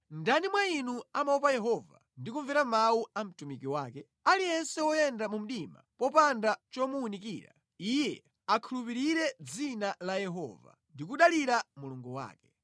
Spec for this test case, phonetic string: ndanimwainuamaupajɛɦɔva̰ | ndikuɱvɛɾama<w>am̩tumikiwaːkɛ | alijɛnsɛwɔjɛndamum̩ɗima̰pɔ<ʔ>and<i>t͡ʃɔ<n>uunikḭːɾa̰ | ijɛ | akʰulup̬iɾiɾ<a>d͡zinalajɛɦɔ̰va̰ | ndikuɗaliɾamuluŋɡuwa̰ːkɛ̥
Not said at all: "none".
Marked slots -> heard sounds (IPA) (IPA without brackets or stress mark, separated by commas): u, p, a, m, ɛ